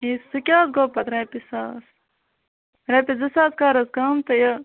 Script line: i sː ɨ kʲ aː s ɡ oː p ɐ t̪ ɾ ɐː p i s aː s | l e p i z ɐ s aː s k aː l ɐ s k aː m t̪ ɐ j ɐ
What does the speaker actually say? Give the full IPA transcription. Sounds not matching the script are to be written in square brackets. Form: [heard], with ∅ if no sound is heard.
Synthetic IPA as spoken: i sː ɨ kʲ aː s ɡ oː p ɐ t̪ ɾ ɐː p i s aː s | [ɾ] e p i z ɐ s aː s k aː [ɾ] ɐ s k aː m t̪ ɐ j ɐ